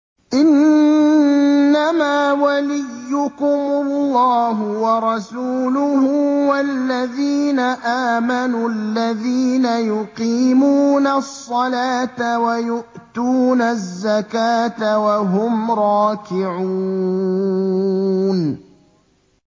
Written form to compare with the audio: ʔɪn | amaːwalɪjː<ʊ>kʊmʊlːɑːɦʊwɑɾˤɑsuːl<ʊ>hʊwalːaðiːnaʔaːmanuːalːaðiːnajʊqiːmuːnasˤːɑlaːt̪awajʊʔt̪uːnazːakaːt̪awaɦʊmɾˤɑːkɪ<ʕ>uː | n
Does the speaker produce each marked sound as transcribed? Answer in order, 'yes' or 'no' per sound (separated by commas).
yes, yes, yes